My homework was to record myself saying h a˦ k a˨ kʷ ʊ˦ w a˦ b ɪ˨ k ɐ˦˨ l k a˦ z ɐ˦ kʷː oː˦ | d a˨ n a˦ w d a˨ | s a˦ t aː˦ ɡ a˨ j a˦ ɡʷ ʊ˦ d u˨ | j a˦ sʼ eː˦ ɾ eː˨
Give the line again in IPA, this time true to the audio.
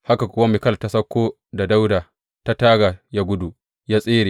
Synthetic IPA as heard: h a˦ k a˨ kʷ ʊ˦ w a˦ m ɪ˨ k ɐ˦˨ l t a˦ s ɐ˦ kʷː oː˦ | d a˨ d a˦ w d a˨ | t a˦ t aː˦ ɡ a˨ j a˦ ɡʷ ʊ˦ d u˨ | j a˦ sʼ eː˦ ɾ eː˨